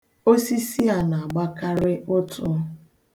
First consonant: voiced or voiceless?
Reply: voiceless